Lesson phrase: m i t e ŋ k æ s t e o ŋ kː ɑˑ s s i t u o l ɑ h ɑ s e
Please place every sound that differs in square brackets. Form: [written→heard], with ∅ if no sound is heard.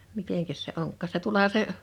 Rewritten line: m i t e ŋ k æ s [t→s] e o ŋ kː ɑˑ s s [i→e] t u o l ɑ h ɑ s e